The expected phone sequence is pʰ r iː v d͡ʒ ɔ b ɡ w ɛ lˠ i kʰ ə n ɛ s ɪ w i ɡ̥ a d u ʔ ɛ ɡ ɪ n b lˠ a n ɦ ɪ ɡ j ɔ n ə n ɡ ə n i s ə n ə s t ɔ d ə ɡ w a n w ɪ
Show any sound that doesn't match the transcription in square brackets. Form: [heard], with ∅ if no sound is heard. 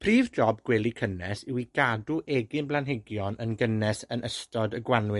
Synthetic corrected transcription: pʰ r iː v d͡ʒ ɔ b ɡ w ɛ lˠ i kʰ ə n ɛ s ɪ w i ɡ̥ a d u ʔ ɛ ɡ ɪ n b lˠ a n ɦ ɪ ɡ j ɔ n ə n ɡ ə n [ɛ] s ə n ə s t ɔ d ə ɡ w a n w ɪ